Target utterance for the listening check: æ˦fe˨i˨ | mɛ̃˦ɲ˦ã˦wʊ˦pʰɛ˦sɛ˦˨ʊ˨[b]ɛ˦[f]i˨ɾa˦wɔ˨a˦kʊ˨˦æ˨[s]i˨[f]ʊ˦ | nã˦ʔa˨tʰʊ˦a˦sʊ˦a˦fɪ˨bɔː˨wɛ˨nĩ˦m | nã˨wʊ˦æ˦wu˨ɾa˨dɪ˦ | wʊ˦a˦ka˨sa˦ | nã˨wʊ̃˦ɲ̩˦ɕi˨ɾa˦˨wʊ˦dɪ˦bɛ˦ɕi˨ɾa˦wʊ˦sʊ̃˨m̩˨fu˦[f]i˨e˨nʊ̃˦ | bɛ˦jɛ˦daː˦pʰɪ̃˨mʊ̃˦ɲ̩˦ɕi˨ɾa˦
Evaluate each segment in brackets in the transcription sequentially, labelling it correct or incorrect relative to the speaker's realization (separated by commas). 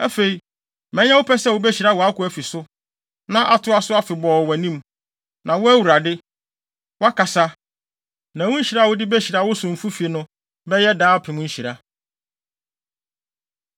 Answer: correct, incorrect, incorrect, incorrect, correct